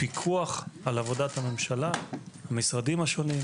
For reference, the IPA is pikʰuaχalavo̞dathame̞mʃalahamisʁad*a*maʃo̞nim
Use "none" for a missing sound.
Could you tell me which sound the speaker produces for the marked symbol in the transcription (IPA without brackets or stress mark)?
i